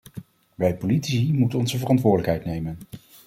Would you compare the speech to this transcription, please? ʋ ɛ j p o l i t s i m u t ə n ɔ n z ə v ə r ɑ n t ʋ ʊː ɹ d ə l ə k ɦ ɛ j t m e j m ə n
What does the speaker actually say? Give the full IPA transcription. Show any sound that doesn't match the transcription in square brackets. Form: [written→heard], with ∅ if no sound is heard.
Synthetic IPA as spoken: ʋ ɛ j p o l i t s i m u t ə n ɔ n z ə v ə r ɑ n t ʋ ʊː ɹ d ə l ə k ɦ ɛ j t [m→n] e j m ə n